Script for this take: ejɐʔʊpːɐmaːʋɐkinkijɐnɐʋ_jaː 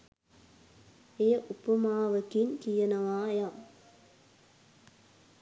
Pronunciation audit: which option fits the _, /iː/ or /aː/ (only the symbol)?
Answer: aː